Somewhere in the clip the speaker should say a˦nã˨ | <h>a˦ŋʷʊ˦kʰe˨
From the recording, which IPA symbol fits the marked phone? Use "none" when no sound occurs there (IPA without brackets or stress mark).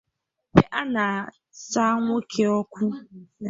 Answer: s